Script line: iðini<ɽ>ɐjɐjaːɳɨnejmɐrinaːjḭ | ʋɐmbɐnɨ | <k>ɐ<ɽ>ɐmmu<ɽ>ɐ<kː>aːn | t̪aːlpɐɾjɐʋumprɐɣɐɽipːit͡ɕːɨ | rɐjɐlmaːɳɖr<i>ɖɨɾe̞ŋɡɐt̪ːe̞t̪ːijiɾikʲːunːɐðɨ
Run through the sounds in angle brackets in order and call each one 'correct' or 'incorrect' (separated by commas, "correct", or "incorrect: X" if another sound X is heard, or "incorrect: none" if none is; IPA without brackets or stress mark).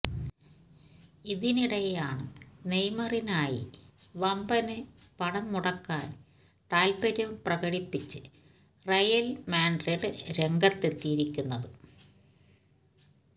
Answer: correct, incorrect: p, correct, correct, correct, incorrect: e